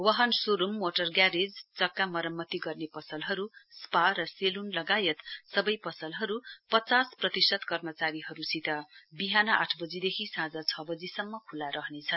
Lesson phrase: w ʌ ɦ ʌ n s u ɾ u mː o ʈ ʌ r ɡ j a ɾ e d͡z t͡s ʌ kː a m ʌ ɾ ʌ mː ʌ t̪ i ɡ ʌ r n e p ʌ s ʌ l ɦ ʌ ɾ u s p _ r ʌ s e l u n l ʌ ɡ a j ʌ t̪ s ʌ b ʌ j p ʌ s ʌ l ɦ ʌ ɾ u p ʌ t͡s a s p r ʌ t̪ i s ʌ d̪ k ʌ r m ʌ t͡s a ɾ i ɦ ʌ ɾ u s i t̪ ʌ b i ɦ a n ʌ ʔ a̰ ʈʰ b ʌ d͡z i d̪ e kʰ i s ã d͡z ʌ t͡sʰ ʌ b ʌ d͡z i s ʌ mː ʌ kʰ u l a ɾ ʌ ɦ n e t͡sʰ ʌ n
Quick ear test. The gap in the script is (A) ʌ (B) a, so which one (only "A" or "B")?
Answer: B